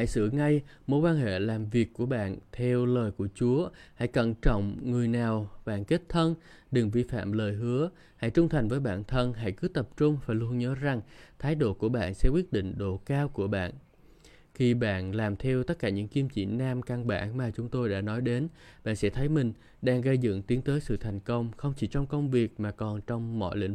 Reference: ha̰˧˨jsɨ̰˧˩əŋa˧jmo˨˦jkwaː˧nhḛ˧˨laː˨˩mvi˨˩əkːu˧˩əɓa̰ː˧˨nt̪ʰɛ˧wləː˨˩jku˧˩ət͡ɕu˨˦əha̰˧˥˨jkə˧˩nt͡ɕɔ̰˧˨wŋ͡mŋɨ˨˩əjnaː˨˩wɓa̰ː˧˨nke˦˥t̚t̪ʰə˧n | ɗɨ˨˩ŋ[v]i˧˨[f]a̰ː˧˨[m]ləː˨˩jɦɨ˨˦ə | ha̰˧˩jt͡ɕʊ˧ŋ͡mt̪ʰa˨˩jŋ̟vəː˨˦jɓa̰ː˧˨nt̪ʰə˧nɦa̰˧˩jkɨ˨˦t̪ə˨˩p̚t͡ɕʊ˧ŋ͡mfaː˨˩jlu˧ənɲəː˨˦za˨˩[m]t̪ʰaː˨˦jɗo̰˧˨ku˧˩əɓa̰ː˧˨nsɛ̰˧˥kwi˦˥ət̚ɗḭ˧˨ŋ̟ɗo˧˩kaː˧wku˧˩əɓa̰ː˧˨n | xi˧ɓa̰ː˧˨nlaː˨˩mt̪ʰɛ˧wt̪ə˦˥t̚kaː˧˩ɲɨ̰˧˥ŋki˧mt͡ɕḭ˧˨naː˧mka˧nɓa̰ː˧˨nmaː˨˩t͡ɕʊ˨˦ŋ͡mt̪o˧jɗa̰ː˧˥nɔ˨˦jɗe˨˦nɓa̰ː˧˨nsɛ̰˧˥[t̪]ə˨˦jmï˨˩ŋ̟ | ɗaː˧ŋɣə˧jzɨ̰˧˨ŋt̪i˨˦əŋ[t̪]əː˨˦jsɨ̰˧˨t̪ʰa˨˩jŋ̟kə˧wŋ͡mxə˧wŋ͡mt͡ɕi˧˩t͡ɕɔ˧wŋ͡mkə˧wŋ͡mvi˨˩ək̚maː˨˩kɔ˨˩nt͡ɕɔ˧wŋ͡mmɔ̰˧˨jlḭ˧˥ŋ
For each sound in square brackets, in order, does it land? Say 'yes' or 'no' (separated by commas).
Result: yes, yes, yes, no, no, yes